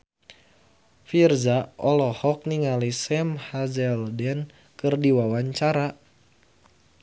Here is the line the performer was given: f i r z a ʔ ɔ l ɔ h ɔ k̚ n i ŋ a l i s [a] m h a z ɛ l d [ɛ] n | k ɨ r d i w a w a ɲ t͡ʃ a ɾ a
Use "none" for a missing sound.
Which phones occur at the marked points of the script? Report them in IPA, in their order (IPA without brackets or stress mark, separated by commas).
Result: ɛ, ɛ